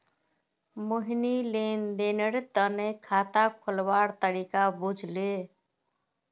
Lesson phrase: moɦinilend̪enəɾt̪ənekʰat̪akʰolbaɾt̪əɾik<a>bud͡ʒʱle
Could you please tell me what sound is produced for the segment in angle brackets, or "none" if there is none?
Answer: a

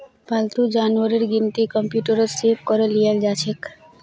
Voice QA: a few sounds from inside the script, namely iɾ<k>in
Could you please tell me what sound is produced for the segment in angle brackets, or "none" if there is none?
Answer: ɡ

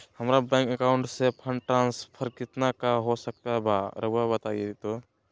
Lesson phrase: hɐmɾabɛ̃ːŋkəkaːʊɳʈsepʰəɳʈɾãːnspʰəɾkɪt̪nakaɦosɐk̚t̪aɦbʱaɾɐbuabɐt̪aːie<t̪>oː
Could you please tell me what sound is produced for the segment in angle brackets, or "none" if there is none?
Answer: t̪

